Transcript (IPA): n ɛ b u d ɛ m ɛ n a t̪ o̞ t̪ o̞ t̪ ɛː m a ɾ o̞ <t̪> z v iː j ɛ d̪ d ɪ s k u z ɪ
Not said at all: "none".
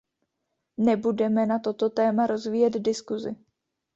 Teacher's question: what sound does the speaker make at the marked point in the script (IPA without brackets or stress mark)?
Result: none